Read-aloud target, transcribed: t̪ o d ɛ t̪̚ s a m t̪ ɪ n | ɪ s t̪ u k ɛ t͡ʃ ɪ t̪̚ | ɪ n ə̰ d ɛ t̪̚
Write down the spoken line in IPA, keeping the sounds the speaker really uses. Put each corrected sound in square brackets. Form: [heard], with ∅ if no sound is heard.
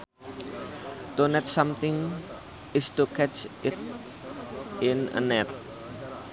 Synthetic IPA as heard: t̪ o [n] ɛ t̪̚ s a m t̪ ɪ [ŋ] | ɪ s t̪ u k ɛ t͡ʃ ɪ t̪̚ | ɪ n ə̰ [n] ɛ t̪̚